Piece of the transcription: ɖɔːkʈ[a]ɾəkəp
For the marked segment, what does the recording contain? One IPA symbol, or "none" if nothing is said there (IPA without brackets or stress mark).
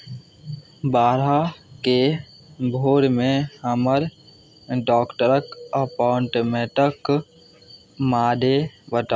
ə